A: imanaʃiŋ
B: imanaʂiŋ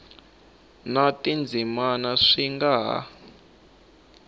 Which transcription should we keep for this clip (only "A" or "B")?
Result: B